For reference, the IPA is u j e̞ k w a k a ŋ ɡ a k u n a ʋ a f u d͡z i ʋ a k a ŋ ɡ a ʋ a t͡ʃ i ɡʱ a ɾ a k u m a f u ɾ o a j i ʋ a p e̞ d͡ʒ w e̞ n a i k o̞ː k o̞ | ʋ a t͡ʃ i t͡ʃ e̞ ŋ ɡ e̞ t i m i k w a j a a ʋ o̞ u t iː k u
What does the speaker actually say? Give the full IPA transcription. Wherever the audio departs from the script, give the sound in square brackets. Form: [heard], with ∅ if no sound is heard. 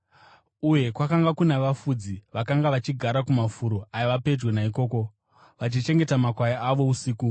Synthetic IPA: u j e̞ k w a k a ŋ ɡ a k u n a ʋ a f u d͡z i ʋ a k a ŋ ɡ a ʋ a t͡ʃ i ɡʱ a ɾ a k u m a f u ɾ o a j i ʋ a p e̞ d͡ʒ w e̞ n a i k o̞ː k o̞ | ʋ a t͡ʃ i t͡ʃ e̞ ŋ ɡ e̞ t [a] m [a] k w a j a a ʋ o̞ u [s] iː k u